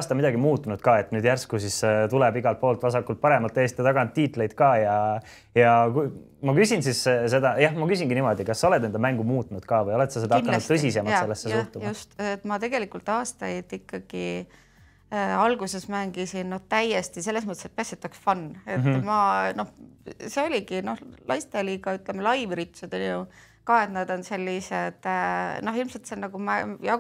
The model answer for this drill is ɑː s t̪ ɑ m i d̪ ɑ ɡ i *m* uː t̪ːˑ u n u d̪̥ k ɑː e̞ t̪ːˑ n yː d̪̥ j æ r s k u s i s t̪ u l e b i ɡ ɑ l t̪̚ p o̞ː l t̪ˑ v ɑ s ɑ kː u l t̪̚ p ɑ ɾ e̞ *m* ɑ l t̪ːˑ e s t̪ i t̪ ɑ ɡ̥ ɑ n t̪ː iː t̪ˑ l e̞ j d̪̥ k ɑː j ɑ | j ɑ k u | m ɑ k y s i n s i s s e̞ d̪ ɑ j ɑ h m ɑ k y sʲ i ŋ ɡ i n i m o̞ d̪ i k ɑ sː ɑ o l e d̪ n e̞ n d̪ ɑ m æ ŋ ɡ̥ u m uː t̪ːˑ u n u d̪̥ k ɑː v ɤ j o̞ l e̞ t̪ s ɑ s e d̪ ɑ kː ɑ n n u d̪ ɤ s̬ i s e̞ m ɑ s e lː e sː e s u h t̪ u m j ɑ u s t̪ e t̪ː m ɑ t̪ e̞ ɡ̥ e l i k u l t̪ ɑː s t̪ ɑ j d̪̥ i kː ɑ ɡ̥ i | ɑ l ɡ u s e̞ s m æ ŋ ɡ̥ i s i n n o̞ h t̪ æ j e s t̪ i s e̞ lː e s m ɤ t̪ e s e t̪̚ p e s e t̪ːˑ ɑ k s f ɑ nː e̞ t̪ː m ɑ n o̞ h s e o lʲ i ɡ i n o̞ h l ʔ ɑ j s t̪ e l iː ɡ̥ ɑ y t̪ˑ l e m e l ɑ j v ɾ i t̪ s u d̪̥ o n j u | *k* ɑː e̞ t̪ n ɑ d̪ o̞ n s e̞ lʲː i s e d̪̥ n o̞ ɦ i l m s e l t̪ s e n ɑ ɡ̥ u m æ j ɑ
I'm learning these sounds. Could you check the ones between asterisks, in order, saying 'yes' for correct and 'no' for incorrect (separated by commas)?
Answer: yes, yes, yes